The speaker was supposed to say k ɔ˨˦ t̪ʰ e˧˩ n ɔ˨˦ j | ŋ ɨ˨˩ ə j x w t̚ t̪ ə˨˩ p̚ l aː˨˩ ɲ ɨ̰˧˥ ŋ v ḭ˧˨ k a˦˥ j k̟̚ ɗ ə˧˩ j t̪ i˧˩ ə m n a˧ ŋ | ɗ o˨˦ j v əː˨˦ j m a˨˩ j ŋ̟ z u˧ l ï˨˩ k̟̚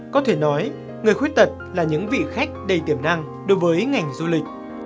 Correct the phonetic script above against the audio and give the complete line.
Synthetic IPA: k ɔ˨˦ t̪ʰ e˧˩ n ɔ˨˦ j | ŋ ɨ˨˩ ə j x w t̚ t̪ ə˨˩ t̚ l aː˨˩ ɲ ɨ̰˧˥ ŋ v ḭ˧˨ x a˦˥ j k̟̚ ɗ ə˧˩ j t̪ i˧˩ ə m n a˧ ŋ | ɗ o˨˦ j v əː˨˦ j ŋ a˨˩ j ŋ̟ z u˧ l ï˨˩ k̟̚